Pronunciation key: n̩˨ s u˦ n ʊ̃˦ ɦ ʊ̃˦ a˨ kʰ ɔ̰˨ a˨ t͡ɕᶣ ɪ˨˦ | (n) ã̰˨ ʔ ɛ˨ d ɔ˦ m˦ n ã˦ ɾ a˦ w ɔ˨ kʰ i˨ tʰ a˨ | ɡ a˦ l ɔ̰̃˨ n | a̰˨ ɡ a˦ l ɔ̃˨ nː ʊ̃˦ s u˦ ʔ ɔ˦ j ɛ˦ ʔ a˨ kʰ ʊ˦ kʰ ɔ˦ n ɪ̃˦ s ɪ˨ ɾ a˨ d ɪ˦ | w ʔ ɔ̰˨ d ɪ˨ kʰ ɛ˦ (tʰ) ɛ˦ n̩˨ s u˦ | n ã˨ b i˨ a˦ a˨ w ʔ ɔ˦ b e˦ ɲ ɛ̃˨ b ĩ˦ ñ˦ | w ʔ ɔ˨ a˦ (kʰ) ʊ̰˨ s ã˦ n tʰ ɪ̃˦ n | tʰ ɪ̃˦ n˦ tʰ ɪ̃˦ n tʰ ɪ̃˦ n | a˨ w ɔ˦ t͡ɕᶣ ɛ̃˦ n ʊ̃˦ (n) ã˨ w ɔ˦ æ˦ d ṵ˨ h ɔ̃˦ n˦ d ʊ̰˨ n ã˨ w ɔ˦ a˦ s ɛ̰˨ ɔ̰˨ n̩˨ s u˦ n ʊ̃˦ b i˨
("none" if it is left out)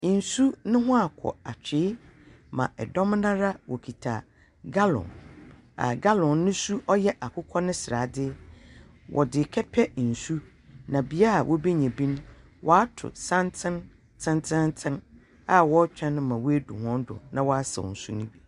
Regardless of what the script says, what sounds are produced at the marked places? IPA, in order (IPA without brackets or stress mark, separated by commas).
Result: m, pʰ, tʰ, m